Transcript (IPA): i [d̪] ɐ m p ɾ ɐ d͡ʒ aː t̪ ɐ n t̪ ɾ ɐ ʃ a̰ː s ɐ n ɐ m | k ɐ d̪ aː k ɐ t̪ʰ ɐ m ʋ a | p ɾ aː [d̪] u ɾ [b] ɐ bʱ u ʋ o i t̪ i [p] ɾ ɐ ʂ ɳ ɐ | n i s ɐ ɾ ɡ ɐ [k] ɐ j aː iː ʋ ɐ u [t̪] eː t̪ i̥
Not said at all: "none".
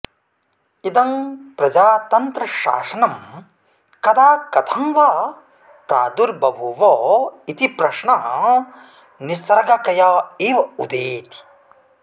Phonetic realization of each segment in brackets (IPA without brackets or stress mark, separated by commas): d̪, d̪, b, p, k, d̪